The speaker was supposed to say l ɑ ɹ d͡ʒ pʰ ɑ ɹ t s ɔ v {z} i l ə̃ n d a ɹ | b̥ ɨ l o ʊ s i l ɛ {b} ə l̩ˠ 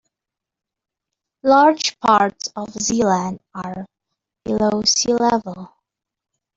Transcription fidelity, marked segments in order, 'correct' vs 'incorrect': correct, incorrect: v

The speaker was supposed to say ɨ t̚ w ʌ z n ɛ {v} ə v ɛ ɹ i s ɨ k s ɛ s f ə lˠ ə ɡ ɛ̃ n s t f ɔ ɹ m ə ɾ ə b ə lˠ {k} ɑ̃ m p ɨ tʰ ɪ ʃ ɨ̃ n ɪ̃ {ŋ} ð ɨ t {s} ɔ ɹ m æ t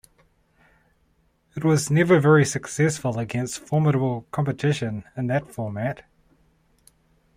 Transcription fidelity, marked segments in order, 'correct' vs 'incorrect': correct, incorrect: kʰ, incorrect: n, incorrect: f

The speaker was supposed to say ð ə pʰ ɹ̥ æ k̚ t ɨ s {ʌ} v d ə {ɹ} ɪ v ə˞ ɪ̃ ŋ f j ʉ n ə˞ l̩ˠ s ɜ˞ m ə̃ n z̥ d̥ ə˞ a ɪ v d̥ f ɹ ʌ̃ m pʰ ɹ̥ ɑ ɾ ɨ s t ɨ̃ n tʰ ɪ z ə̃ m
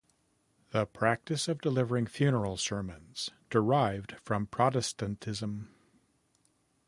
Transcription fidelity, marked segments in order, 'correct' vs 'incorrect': correct, incorrect: l

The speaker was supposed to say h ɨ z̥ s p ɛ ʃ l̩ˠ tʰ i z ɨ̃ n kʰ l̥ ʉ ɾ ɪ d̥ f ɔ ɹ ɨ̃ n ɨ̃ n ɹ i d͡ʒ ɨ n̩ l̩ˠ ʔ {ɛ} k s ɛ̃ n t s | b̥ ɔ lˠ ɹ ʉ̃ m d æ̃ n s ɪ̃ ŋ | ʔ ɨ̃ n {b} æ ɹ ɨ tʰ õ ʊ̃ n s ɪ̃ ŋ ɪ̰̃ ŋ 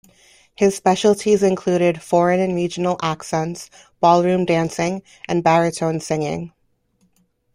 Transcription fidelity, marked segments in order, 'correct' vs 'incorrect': incorrect: æ, correct

